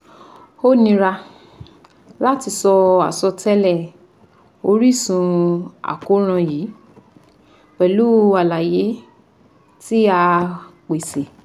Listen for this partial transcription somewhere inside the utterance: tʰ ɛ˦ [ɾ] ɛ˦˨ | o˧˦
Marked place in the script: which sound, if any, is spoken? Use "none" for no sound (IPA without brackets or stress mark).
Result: l